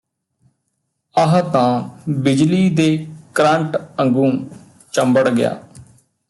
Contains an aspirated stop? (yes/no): no